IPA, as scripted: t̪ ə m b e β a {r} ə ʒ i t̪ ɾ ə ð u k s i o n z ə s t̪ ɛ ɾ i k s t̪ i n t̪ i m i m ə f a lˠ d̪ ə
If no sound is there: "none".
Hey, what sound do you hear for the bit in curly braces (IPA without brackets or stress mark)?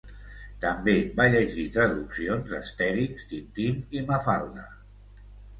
ʎ